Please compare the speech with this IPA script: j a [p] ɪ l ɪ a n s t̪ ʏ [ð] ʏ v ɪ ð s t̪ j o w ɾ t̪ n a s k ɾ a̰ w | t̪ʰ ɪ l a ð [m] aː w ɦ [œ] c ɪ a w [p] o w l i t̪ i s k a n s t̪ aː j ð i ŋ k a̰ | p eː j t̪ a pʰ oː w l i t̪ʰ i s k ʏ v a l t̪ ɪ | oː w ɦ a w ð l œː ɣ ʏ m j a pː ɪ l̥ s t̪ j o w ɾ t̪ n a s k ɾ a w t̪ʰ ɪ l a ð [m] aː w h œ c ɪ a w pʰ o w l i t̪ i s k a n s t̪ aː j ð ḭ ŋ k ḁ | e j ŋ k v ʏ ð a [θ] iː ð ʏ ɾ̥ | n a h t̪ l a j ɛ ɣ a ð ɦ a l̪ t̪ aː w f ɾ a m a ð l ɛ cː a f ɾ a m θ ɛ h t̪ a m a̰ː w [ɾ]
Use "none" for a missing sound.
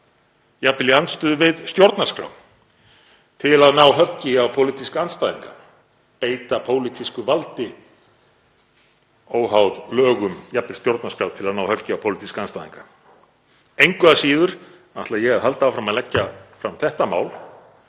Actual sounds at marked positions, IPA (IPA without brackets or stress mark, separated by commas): p, ð, n, œ, pʰ, n, s, l